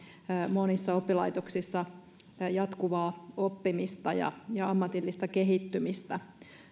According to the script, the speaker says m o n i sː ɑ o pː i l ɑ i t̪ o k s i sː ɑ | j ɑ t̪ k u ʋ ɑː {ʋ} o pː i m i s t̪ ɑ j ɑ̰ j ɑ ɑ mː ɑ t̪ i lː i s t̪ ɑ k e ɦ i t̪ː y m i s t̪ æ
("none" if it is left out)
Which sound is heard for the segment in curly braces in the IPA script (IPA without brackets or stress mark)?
none